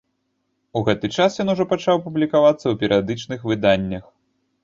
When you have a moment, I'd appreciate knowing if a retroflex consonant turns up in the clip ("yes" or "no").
yes